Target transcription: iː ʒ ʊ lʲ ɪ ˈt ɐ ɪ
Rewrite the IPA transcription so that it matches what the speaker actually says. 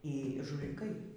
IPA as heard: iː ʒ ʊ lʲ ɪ ˈk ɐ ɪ